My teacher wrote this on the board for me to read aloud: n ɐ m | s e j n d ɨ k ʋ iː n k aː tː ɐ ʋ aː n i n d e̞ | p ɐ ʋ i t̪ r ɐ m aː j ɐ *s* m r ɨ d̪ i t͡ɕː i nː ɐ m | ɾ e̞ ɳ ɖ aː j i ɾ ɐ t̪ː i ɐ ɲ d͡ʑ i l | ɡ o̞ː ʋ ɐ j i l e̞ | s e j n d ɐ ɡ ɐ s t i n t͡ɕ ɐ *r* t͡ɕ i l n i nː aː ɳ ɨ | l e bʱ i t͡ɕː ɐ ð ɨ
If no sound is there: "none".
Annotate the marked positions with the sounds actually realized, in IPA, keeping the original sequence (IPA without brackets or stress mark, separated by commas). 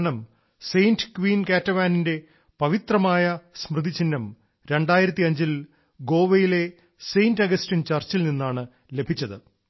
s, r